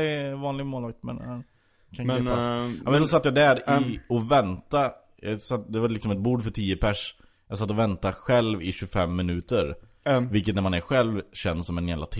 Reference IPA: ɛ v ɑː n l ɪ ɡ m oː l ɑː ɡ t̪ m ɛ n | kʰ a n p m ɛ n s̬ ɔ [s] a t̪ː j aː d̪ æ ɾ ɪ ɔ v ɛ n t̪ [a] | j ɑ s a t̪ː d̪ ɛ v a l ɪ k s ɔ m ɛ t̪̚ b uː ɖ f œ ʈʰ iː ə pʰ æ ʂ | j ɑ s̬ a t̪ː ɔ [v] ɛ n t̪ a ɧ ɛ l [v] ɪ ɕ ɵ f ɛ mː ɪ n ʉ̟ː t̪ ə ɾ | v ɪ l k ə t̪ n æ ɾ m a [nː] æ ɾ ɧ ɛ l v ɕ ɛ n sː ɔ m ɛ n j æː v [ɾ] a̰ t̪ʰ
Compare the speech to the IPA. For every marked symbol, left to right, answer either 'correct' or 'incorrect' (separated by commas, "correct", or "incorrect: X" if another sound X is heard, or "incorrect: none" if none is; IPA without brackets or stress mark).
correct, correct, correct, correct, incorrect: n, incorrect: l